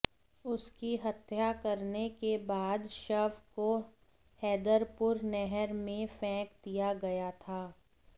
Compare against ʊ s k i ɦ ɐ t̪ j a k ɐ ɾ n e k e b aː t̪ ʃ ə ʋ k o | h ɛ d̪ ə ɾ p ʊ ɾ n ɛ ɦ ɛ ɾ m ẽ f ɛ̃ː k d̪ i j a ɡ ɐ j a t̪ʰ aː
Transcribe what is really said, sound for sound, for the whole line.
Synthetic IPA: ʊ s k i ɦ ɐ t̪ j a k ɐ ɾ n e k e b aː d̪ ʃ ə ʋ k o | h ɛː d̪ ə ɾ p ʊ ɾ n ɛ ɦ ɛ ɾ m ẽ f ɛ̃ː k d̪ i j a ɡ ɐ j a t̪ʰ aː